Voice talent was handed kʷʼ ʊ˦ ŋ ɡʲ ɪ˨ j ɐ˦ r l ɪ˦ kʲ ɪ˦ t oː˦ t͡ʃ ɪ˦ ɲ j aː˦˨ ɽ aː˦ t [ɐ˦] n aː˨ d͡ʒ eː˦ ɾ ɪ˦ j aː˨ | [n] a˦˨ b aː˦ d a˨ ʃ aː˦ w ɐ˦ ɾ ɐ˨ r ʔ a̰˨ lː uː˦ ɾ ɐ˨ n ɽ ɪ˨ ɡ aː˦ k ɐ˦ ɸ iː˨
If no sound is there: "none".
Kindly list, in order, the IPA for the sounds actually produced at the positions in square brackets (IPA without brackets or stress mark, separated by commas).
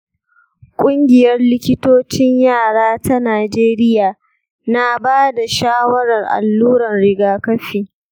a˦, n